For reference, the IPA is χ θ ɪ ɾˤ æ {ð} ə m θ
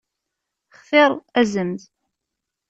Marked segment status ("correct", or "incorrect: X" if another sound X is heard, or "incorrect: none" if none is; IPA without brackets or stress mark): incorrect: z